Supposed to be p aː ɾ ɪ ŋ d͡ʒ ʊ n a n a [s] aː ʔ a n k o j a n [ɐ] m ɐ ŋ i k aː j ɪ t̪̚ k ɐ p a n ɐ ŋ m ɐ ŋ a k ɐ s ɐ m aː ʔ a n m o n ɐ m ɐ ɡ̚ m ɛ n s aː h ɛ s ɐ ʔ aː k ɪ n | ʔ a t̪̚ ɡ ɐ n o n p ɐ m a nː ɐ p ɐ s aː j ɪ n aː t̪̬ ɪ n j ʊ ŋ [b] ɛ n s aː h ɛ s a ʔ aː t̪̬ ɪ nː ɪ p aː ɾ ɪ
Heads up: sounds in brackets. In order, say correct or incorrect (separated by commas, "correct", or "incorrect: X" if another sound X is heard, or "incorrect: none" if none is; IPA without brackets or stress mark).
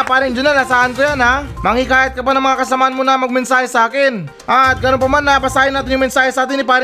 correct, incorrect: a, incorrect: m